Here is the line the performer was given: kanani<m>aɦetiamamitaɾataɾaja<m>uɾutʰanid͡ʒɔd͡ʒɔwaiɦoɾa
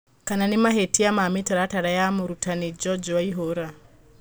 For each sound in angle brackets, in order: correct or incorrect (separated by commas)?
correct, correct